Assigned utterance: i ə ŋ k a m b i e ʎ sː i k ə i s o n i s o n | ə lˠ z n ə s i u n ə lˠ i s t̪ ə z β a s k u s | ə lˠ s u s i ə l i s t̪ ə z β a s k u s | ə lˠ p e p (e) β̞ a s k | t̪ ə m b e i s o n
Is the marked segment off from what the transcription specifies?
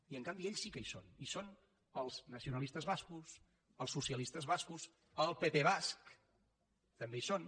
no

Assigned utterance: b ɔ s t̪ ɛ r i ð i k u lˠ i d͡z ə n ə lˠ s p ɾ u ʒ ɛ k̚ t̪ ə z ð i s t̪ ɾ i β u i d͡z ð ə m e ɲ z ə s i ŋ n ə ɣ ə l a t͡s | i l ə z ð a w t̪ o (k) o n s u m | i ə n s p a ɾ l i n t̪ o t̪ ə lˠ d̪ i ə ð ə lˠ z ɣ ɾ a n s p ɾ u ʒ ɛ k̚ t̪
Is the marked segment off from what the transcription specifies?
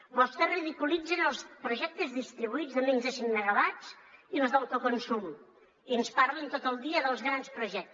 no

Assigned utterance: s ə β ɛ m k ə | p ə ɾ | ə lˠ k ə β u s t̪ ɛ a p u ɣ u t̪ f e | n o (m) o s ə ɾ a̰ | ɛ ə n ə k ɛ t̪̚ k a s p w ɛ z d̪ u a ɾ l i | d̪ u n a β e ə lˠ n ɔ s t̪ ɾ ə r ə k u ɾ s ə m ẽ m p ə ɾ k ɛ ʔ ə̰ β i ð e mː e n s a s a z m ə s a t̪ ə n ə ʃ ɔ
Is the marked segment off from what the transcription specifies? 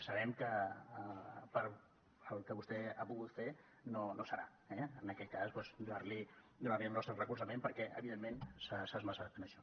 yes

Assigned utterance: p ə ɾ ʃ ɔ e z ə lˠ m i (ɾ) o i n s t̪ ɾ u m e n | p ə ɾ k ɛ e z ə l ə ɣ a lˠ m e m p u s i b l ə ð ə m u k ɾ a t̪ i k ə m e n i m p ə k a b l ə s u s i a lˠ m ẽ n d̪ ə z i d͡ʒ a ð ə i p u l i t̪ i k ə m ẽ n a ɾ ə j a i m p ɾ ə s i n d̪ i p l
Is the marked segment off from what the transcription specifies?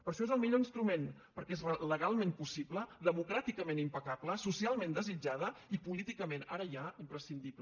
yes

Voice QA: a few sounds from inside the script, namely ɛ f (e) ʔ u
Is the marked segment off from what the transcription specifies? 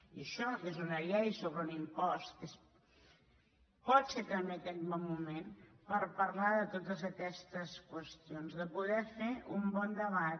no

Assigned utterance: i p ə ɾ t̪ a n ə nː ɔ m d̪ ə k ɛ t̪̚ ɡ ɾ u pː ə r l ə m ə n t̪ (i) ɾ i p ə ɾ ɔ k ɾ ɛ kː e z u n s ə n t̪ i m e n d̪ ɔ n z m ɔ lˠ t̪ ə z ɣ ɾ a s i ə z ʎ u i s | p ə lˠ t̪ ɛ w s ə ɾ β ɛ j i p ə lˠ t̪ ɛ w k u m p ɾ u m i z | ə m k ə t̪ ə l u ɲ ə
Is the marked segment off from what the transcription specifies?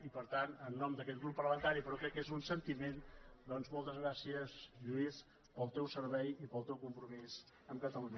yes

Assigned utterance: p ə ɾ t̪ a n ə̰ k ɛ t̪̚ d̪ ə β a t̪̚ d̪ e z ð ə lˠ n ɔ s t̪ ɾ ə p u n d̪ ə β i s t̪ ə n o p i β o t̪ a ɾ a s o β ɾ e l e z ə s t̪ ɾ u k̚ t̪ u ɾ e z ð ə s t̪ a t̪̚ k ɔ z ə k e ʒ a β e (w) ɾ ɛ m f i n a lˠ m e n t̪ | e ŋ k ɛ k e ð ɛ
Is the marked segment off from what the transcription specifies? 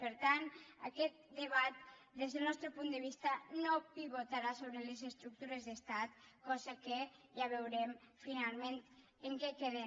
no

